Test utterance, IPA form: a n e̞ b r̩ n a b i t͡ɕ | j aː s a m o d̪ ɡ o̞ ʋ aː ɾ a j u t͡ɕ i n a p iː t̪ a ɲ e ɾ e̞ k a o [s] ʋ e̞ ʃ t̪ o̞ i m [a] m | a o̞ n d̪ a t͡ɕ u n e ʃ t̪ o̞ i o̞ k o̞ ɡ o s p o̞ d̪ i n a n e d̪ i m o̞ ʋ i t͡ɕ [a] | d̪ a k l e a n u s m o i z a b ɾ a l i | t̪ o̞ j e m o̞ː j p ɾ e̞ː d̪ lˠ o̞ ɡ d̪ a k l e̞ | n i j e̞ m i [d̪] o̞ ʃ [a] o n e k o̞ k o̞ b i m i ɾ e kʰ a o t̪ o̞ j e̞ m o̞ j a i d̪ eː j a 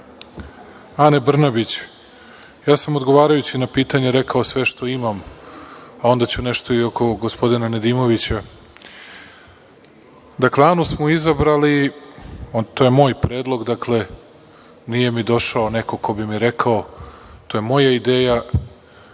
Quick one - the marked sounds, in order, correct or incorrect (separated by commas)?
correct, correct, correct, correct, correct